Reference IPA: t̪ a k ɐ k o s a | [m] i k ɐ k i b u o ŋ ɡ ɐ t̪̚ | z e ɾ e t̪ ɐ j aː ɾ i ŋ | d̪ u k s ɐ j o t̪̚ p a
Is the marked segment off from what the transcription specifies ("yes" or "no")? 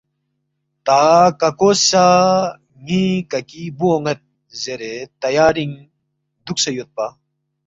yes